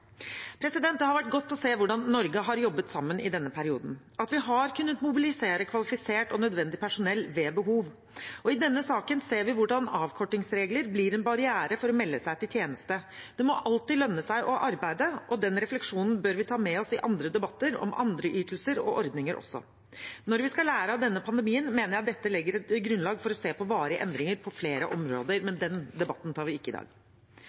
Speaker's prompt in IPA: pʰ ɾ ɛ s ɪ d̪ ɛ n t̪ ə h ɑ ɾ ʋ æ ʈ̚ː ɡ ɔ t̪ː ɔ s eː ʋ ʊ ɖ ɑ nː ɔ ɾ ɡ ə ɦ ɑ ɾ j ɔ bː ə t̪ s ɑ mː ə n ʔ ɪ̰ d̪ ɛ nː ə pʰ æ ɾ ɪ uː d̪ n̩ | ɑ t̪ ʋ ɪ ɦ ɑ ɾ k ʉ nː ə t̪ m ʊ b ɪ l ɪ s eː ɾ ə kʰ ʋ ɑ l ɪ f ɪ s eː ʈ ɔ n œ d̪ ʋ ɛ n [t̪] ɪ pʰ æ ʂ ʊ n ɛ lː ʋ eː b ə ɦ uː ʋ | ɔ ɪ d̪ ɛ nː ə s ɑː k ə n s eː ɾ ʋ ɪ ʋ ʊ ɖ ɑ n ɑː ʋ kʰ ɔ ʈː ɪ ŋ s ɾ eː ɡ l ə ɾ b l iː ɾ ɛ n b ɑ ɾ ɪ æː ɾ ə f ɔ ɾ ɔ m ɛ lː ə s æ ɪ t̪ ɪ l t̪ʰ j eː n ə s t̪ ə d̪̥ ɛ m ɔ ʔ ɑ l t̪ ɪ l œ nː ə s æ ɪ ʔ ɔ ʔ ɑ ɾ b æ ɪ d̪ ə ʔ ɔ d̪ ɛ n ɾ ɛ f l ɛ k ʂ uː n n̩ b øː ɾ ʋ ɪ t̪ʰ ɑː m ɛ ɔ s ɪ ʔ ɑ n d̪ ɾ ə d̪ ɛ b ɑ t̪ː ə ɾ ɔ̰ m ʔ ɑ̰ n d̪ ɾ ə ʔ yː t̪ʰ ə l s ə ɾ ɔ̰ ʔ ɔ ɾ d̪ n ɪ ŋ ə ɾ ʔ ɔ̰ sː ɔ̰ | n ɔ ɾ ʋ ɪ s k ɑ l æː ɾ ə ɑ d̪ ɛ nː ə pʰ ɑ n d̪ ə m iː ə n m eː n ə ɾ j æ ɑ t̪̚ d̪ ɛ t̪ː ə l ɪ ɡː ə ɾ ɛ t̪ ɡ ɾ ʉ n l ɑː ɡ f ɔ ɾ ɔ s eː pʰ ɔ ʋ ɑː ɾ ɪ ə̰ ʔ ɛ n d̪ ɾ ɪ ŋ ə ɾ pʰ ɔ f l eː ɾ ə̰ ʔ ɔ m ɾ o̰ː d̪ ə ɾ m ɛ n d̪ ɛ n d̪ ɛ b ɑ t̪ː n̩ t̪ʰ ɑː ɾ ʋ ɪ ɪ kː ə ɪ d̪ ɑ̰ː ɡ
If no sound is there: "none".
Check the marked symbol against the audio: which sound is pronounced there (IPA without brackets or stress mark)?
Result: d̪